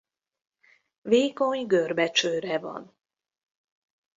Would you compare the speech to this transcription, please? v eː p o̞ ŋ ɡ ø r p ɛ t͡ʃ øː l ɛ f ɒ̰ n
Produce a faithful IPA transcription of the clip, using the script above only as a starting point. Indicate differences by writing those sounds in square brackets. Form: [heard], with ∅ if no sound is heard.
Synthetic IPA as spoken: v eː [k] o̞ [ɲ] ɡ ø r [b] ɛ t͡ʃ øː [ɾ] ɛ [v] ɒ̰ n